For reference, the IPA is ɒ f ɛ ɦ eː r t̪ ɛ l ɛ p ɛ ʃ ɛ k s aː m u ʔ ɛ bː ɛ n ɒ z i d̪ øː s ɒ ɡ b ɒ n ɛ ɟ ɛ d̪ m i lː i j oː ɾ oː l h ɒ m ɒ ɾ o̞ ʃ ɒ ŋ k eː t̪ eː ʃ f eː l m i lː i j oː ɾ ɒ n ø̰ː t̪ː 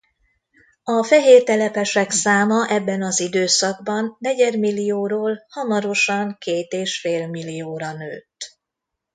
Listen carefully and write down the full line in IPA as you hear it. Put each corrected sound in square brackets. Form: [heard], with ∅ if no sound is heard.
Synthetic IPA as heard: ɒ f ɛ ɦ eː r t̪ ɛ l ɛ p ɛ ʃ ɛ k s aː m [ɒ] ʔ ɛ bː ɛ n ɒ z i d̪ øː s ɒ ɡ b ɒ [nː] ɛ ɟ ɛ d̪ m i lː i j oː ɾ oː l h ɒ m ɒ ɾ o̞ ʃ ɒ ŋ k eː t̪ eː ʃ f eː l m i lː i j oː ɾ ɒ n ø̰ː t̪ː